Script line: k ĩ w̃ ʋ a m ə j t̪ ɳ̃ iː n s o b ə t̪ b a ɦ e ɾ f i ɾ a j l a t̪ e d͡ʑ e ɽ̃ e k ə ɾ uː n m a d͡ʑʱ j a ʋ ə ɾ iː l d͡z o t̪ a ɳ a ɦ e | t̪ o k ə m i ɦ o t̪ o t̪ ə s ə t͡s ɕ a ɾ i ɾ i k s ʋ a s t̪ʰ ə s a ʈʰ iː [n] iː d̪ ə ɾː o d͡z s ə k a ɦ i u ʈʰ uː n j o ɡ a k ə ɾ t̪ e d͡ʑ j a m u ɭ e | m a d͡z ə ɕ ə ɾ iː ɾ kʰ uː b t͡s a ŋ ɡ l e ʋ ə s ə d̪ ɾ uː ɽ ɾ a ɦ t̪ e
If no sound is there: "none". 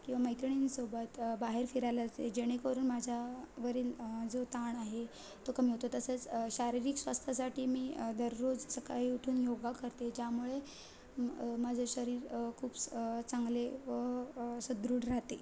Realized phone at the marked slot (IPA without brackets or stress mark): m